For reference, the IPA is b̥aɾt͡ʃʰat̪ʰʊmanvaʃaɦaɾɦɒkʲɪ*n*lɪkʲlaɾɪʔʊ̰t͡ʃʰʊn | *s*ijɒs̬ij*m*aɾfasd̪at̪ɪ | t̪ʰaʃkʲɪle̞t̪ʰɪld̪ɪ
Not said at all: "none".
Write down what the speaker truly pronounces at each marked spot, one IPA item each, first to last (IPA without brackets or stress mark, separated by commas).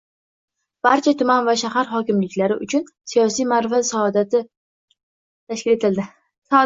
m, s, m